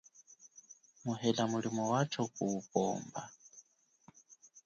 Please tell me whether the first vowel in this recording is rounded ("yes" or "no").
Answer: yes